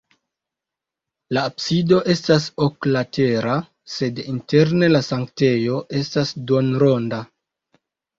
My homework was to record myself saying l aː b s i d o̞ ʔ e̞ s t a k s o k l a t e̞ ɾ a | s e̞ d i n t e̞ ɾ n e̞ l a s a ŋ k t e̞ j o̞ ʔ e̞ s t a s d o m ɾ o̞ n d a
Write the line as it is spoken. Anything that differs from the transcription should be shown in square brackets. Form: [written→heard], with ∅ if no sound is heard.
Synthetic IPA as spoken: l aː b s i d o̞ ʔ e̞ s t a [k→∅] s o k l a t e̞ ɾ a | s e̞ d i n t e̞ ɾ n e̞ l a s a ŋ k t e̞ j o̞ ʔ e̞ s t a s d o [m→n] ɾ o̞ n d a